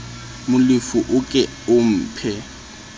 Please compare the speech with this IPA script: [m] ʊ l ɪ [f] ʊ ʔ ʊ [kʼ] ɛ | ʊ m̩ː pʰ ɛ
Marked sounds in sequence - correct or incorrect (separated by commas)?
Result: correct, correct, correct